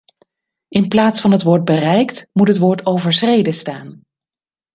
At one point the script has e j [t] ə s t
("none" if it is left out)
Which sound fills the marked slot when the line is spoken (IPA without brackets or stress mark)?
d